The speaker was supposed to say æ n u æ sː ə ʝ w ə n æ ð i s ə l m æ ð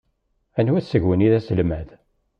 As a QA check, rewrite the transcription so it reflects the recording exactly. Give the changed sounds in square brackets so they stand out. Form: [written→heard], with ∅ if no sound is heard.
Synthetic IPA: æ n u æ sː ə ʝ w ə n [æ→i] ð [i→æ] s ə l m æ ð